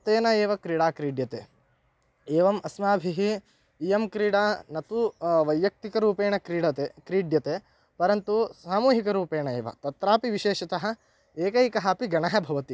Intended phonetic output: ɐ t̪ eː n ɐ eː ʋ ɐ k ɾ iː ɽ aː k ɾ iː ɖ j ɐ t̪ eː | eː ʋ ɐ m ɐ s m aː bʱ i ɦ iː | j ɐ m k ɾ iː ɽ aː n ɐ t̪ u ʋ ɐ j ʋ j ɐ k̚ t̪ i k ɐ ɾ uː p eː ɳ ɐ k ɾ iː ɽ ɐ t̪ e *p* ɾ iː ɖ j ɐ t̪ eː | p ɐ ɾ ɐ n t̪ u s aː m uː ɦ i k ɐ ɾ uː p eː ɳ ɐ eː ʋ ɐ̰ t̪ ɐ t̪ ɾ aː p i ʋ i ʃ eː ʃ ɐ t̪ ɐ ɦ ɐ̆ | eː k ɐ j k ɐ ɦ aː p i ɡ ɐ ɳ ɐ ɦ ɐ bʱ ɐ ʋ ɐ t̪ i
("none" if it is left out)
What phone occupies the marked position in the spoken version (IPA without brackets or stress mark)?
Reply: k